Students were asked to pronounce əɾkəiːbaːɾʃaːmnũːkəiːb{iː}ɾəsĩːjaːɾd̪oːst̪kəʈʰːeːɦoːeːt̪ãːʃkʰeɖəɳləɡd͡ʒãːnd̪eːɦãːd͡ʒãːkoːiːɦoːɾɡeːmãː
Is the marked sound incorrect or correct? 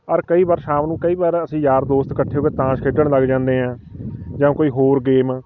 incorrect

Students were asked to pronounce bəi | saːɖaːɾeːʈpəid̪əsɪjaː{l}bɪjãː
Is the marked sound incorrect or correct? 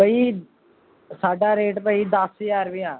incorrect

